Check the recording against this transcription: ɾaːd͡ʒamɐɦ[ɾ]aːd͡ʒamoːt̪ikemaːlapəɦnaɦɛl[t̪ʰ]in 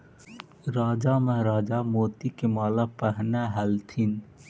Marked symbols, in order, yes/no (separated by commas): yes, yes